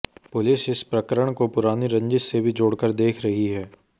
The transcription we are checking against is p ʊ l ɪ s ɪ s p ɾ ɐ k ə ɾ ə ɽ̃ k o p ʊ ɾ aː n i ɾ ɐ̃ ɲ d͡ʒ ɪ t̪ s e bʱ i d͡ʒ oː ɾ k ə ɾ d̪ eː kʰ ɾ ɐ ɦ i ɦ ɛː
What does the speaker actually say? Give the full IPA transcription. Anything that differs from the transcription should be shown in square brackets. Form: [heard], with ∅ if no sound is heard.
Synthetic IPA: p ʊ l ɪ s ɪ s p ɾ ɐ k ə ɾ ə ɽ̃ k o p ʊ ɾ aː n i ɾ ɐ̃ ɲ d͡ʒ ɪ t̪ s e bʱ i d͡ʒ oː [ɽ] k ə ɾ d̪ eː kʰ ɾ ɐ ɦ i ɦ ɛː